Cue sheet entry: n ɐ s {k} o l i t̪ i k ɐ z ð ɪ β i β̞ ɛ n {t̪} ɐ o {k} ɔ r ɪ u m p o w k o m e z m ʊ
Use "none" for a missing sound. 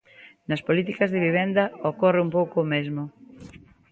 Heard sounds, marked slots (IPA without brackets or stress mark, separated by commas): p, d̪, k